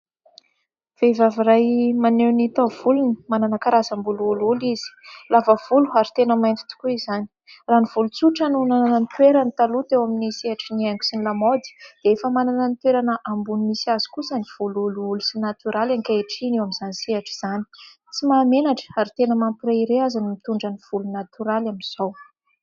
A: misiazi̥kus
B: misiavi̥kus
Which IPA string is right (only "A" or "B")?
A